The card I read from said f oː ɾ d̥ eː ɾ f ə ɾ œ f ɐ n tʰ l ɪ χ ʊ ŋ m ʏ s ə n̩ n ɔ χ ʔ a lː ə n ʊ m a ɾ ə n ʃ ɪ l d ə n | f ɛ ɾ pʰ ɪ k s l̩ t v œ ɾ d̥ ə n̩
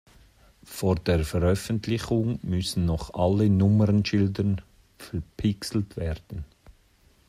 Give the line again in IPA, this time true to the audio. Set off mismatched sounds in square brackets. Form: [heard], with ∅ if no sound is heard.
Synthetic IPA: f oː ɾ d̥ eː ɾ f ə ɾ œ f [ə] n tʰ l ɪ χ ʊ ŋ m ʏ s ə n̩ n ɔ χ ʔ a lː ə n ʊ m [ə] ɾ ə n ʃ ɪ l d ə n | f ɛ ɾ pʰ ɪ k s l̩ t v [ɛ] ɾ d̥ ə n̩